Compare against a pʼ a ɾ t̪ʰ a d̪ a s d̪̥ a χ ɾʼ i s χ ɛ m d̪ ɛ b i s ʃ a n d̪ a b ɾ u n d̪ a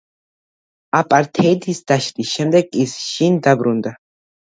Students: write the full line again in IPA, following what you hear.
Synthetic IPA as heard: a pʼ a ɾ t̪ʰ ɛ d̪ i s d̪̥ a ʃ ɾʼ i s ʃ ɛ m d̪ ɛ ɡ i s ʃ i n d̪ a b ɾ u n d̪ a